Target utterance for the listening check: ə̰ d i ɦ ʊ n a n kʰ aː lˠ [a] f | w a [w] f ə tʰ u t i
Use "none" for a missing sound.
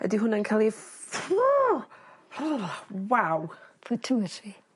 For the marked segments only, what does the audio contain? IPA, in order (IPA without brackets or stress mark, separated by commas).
i, w